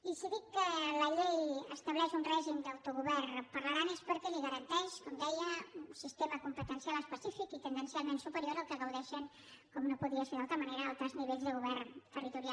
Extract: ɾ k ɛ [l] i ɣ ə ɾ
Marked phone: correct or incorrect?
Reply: correct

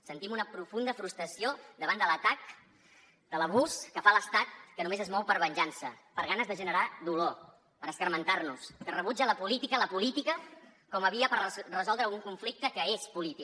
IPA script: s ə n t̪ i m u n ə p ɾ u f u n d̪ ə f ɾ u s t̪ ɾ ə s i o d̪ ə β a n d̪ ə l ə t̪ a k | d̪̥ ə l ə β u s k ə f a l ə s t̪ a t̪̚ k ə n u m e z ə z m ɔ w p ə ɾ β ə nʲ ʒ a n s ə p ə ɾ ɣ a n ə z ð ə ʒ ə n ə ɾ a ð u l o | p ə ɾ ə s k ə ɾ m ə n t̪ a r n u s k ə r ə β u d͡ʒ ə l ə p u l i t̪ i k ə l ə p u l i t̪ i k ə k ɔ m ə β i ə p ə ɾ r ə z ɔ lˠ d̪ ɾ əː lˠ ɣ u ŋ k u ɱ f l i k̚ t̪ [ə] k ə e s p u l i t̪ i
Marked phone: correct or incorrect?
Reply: correct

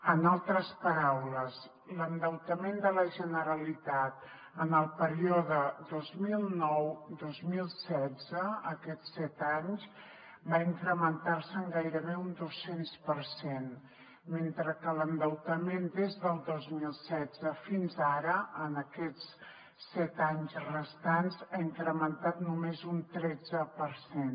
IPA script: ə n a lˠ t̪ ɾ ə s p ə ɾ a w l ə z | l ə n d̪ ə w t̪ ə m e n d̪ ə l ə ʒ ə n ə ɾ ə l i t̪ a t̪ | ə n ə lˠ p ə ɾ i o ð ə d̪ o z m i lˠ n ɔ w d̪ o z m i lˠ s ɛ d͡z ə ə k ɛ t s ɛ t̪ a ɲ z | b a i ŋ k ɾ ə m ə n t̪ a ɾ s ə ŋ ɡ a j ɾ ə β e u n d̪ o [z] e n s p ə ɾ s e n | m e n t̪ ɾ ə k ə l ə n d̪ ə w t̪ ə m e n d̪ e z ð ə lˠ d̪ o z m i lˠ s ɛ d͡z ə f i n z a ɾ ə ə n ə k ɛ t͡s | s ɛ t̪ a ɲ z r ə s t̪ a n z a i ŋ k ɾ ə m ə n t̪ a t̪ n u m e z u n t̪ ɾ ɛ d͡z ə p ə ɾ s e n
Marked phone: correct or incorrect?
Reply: incorrect: s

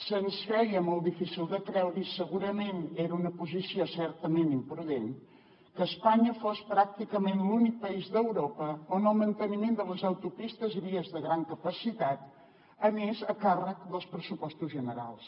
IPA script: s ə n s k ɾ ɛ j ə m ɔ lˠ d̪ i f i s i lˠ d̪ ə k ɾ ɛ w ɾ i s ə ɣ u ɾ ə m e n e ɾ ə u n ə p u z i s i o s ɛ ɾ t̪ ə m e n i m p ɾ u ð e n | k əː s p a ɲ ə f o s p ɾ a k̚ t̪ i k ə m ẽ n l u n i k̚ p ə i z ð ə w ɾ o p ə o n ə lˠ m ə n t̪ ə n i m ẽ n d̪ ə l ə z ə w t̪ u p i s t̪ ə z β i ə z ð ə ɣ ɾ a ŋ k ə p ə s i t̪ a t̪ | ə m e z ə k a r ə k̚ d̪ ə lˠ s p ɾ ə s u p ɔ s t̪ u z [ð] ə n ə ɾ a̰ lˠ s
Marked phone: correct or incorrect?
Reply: incorrect: ʒ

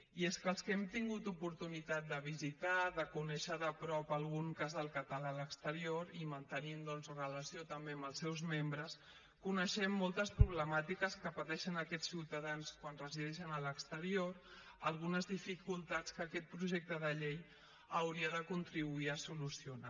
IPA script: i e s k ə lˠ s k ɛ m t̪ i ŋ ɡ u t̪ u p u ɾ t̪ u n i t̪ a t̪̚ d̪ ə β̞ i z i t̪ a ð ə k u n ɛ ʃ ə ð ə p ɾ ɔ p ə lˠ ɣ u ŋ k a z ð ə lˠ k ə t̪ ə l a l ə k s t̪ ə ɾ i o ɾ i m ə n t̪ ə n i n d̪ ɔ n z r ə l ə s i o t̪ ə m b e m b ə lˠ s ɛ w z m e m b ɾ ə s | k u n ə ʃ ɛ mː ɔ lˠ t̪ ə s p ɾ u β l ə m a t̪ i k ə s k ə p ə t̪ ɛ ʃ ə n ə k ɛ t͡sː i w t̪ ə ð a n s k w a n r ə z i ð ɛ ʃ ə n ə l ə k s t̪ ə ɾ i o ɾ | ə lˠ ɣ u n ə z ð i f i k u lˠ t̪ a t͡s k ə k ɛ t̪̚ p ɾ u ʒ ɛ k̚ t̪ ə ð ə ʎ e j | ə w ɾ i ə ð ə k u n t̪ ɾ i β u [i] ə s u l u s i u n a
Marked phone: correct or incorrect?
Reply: correct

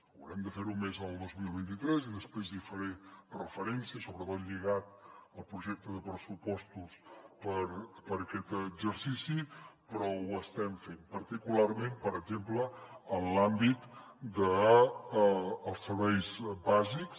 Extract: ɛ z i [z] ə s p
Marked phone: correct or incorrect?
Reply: incorrect: ð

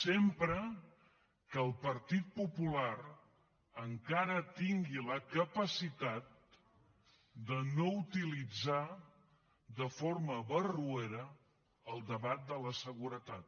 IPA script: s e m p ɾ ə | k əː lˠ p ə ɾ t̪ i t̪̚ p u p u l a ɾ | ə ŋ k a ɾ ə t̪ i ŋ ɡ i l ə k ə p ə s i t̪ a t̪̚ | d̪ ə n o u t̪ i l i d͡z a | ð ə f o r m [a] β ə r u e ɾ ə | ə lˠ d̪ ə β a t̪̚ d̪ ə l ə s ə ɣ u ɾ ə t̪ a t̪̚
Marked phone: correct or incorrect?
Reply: incorrect: ə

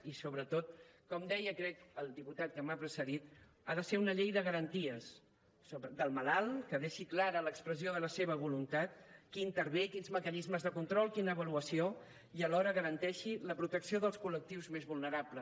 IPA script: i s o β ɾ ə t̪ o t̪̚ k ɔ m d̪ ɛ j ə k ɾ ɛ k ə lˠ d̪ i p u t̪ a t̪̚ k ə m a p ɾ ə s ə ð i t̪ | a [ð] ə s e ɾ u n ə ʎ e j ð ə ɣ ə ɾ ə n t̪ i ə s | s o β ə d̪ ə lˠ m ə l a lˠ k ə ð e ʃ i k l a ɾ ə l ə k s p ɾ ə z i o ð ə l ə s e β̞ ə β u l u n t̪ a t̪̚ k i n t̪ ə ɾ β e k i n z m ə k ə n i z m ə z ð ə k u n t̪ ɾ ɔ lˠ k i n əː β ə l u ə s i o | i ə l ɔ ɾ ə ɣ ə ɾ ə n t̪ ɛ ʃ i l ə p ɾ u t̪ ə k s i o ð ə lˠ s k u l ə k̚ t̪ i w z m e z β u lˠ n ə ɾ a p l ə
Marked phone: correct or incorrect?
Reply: correct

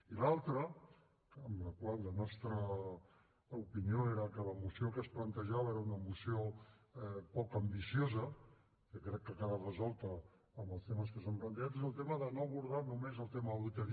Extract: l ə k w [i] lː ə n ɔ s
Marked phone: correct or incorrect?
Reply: incorrect: a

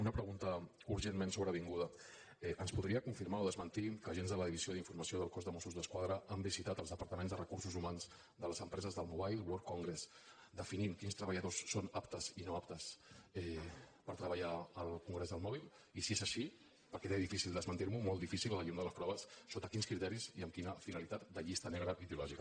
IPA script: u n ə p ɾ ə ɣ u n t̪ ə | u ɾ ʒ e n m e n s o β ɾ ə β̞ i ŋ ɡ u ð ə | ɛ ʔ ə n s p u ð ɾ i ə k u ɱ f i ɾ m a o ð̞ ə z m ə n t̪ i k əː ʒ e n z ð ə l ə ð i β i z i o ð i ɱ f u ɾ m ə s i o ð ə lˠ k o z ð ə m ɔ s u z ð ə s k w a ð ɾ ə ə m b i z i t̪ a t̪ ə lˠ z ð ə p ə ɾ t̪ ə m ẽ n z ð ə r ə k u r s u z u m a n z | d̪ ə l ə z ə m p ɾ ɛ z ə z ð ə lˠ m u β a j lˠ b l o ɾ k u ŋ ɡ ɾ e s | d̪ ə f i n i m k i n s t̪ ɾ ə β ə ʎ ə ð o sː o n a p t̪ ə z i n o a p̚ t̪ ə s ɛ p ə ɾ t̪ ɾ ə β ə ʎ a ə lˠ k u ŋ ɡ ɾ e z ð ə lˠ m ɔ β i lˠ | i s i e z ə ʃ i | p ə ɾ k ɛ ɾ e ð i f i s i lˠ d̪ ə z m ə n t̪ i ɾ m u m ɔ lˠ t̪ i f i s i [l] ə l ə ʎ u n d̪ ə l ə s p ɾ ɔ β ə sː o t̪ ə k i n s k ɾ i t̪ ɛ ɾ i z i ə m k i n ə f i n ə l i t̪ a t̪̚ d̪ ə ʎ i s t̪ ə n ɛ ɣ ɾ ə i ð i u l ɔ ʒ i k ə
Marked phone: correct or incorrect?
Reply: correct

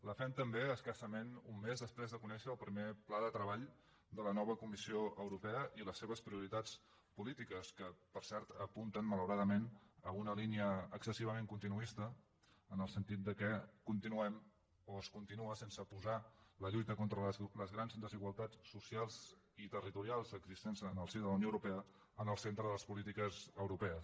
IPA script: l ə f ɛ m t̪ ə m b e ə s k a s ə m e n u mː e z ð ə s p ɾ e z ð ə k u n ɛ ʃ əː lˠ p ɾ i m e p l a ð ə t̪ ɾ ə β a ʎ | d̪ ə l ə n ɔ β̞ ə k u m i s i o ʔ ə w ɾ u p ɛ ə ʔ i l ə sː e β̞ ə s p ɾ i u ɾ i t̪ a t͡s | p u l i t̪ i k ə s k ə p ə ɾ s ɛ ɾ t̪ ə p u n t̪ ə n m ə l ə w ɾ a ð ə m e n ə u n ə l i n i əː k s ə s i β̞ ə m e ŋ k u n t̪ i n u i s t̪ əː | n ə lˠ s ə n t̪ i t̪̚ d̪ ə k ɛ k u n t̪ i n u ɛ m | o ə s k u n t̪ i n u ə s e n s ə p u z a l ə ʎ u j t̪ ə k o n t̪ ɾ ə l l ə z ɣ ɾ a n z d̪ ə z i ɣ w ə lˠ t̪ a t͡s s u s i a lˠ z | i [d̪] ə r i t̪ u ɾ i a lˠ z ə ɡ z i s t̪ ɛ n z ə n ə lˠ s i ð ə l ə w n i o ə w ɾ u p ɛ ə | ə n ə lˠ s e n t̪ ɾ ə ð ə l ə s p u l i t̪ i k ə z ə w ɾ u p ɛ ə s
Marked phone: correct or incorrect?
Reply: incorrect: t̪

